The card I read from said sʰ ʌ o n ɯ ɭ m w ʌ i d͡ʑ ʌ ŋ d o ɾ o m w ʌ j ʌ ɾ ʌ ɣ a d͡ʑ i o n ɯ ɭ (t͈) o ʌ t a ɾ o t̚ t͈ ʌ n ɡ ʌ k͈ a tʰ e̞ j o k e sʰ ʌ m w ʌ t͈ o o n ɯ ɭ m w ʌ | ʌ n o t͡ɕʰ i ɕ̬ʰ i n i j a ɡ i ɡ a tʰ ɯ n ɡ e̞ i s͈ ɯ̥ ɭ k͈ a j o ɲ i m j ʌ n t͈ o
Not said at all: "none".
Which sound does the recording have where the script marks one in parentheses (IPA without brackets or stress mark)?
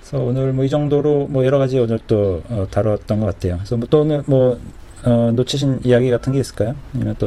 t͈